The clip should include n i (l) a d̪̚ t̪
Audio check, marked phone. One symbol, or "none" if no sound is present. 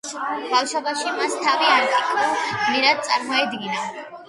ɾ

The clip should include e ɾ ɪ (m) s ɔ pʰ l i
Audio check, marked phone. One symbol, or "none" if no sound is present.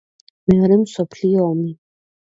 m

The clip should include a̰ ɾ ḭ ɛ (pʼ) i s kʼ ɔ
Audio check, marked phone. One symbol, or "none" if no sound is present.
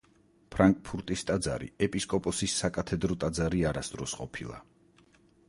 pʼ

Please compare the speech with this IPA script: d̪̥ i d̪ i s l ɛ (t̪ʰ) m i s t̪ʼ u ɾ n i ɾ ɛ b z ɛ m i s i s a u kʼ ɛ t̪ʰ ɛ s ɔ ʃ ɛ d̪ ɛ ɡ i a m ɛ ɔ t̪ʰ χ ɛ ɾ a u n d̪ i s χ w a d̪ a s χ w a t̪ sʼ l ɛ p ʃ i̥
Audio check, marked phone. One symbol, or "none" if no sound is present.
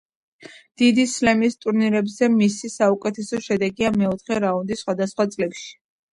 none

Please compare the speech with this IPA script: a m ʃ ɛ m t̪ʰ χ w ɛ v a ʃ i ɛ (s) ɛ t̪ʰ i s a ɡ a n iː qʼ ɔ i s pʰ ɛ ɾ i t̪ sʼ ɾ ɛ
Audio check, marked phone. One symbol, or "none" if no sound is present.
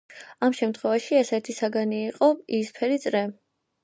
s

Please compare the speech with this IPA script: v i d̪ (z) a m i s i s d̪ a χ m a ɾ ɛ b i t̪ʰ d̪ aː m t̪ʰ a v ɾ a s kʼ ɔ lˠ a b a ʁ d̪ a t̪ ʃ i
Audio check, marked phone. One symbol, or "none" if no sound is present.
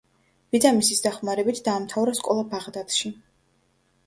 z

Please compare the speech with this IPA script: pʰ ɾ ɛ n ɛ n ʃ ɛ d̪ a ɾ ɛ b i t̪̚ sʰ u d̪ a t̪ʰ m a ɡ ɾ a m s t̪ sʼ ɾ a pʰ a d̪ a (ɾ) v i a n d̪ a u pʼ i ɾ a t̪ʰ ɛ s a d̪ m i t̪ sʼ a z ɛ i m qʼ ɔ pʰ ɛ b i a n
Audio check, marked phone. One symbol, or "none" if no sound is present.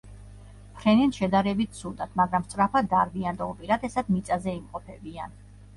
ɾ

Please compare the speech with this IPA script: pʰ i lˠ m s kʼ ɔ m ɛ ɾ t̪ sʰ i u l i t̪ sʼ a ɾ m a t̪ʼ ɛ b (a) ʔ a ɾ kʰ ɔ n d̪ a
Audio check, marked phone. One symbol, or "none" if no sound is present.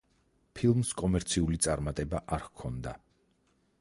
a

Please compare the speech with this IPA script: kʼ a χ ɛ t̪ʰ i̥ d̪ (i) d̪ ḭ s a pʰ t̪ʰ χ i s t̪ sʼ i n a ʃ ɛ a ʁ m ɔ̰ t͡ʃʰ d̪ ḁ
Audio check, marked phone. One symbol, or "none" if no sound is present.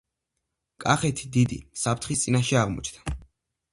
i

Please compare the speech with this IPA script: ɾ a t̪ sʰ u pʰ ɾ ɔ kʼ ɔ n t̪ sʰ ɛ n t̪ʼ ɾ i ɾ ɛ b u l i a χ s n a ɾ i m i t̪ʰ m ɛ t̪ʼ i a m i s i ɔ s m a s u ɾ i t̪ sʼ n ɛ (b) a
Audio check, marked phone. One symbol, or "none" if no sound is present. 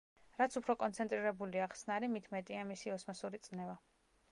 v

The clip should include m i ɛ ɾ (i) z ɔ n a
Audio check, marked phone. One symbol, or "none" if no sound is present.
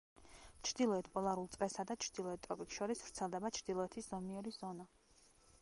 i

